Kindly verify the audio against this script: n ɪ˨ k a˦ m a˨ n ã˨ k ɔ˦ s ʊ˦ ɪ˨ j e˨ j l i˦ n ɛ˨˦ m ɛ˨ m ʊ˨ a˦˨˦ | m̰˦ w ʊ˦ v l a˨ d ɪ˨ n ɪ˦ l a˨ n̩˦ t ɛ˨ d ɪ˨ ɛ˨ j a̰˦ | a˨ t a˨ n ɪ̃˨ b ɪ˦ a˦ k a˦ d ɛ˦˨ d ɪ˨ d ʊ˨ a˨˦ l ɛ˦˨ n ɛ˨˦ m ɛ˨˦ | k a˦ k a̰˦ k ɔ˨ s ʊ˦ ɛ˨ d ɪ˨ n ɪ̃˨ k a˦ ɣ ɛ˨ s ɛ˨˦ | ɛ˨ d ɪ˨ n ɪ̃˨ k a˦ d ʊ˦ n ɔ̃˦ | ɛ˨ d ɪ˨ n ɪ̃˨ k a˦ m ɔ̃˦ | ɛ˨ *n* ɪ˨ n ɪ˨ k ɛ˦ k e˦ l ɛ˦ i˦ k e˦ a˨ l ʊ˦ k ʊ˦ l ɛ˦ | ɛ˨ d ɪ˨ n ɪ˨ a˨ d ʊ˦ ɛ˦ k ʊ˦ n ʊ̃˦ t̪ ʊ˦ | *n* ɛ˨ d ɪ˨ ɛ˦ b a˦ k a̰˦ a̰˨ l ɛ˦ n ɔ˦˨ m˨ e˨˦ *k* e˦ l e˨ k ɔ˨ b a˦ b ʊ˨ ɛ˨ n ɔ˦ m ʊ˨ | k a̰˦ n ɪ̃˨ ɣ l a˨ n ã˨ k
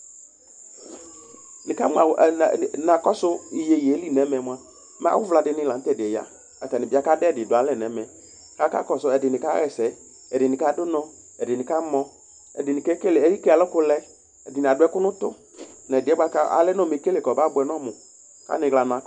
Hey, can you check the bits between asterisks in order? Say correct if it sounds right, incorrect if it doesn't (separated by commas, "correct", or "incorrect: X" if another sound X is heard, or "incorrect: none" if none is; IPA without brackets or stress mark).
incorrect: d, correct, correct